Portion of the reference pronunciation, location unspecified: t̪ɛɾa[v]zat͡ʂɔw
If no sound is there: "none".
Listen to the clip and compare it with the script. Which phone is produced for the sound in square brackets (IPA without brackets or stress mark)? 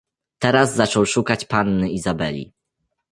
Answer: z